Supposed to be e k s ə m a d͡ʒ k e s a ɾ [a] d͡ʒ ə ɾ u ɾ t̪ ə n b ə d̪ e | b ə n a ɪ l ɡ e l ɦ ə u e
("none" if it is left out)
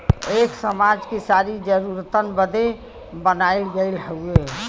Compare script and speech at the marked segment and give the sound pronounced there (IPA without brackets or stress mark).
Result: i